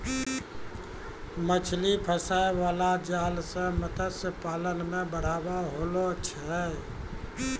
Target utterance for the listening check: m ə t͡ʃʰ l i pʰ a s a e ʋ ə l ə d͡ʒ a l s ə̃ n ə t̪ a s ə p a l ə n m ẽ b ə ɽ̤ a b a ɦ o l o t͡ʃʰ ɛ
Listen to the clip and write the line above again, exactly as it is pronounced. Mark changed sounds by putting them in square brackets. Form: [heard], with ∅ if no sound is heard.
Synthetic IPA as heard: m ə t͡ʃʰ l i pʰ [ə] s a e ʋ [a] l [a] d͡ʒ a l s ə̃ [m] ə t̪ [ə] s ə p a l ə n m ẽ b ə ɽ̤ a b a ɦ o l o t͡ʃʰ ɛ